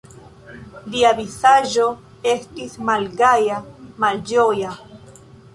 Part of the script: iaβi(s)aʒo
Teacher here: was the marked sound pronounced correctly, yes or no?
yes